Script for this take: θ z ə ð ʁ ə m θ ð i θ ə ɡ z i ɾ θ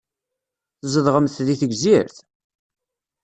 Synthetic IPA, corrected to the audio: θ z ə ð ʁ ə m θ ð i θ ə ɡ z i ɾ θ